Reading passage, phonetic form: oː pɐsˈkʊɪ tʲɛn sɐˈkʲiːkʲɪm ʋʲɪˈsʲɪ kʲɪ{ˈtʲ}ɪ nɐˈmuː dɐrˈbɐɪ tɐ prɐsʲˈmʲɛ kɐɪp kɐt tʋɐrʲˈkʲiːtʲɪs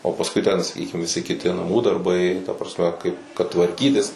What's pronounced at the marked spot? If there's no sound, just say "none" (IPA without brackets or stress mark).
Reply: tʲ